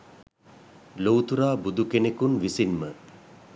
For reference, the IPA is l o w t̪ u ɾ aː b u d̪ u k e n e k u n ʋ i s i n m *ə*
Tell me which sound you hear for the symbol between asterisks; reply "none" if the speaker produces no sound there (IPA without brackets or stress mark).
ə